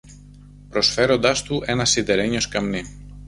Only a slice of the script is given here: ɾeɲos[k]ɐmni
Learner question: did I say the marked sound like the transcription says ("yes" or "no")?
yes